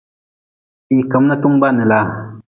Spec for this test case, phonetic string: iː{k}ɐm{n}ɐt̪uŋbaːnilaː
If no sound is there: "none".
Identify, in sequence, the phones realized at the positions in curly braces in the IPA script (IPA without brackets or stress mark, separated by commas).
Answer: k, n